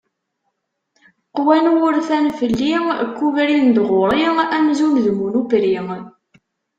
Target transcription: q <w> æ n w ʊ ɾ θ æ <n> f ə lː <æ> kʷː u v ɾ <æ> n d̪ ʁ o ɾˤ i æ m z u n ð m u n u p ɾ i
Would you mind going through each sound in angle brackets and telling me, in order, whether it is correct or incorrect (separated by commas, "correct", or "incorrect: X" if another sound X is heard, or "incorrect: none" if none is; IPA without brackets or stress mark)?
correct, correct, incorrect: i, incorrect: i